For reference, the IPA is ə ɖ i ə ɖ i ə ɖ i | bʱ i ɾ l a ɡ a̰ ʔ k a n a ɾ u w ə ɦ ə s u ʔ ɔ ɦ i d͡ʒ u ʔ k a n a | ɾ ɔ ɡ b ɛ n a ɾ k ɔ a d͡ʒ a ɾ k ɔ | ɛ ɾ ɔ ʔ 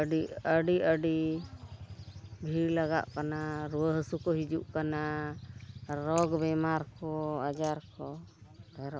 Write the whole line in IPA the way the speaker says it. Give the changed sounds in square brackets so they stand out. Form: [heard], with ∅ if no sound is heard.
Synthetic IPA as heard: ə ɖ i ə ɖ i ə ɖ i | bʱ i ɾ l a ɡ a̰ ʔ k a n a ɾ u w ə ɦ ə s u [k] ɔ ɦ i d͡ʒ u ʔ k a n a | ɾ ɔ ɡ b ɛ [m] a ɾ k ɔ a d͡ʒ a ɾ k ɔ | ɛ ɾ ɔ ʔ